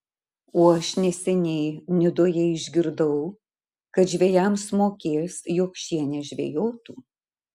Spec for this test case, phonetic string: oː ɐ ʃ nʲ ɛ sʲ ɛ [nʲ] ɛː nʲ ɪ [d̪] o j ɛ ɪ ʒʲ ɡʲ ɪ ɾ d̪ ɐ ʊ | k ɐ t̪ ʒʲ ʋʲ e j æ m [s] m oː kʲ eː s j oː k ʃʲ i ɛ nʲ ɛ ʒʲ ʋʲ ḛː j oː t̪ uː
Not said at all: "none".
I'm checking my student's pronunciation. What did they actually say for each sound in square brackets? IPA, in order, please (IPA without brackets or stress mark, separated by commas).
nʲ, d̪, s